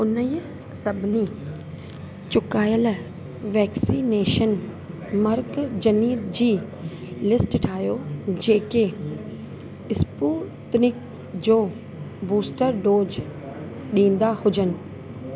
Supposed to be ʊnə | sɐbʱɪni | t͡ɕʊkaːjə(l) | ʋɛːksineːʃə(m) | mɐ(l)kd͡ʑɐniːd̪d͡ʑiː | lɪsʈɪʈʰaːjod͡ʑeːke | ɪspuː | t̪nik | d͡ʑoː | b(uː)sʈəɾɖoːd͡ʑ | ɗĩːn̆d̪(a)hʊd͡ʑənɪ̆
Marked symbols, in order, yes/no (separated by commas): yes, no, no, yes, yes